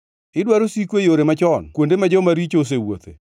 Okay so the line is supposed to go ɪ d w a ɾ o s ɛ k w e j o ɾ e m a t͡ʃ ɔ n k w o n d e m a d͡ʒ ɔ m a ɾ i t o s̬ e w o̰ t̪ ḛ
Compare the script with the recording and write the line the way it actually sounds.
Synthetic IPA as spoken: ɪ d w a ɾ o s i k w e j o ɾ e m a t͡ʃ ɔ n k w o n d e m a d͡ʒ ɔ m a ɾ i t͡ʃ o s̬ e w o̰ t̪ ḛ